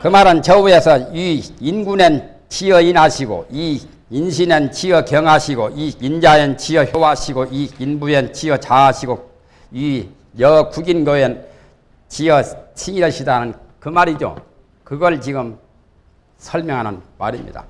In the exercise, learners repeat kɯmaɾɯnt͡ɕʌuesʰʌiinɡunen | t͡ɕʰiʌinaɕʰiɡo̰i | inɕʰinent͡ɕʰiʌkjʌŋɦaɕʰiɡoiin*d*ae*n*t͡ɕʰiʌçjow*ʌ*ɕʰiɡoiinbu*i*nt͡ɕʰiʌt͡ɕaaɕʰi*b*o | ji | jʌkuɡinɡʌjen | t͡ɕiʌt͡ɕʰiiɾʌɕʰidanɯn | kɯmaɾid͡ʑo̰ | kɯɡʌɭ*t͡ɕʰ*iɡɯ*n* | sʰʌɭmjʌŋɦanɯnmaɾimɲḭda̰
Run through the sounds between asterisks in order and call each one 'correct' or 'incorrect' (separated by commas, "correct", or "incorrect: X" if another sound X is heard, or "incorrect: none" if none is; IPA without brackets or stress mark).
incorrect: d͡ʑ, correct, incorrect: a, incorrect: e, incorrect: ɡ, incorrect: t͡ɕ, incorrect: m